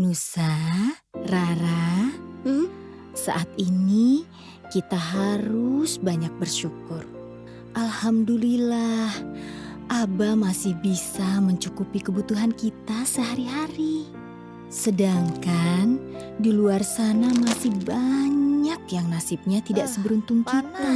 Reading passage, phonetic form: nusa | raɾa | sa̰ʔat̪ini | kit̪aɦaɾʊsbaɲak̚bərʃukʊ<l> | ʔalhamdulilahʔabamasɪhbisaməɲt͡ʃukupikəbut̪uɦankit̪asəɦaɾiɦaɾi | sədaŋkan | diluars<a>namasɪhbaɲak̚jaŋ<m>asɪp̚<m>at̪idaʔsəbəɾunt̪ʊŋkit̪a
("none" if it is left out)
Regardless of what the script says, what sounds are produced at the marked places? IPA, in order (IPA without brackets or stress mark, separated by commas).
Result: r, a, n, ɲ